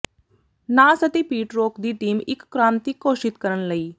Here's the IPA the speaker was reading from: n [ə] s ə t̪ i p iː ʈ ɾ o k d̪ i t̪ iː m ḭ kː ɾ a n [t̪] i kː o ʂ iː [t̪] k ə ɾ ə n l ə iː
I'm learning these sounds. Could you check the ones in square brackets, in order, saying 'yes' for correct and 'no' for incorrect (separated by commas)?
no, yes, yes